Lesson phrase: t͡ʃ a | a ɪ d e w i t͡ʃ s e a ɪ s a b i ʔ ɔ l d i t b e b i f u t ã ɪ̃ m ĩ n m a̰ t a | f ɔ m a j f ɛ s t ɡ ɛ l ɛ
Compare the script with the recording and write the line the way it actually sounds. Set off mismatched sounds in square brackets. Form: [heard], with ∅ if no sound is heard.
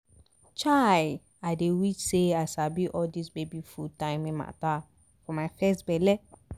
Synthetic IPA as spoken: t͡ʃ a | a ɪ d e w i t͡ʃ s e a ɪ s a b i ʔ ɔ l d i [s] b e b i f u t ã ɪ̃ m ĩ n m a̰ t a | f ɔ m a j f ɛ s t [b] ɛ l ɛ